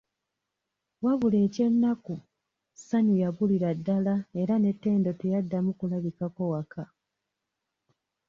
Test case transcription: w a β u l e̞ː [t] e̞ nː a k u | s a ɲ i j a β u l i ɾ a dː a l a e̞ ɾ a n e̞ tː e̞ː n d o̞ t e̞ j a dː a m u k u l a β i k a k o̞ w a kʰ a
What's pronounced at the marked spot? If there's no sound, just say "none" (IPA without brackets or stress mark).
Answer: c